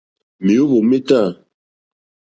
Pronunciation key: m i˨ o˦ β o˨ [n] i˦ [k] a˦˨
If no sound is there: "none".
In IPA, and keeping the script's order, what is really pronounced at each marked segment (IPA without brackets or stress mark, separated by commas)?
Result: m, t